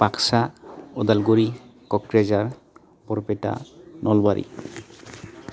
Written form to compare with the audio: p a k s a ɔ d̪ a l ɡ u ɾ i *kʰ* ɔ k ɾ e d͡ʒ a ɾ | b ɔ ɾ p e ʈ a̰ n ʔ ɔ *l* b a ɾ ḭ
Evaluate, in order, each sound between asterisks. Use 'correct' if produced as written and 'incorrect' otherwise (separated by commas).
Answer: incorrect, correct